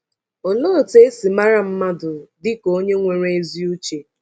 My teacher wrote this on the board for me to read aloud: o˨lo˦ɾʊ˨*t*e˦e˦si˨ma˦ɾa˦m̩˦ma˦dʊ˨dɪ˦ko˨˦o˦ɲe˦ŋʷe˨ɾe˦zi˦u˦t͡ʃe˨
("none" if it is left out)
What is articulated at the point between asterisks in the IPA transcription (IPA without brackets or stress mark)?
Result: t